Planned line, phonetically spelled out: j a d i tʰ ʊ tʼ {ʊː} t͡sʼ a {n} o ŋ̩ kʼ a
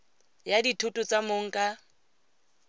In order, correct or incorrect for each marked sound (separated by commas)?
incorrect, incorrect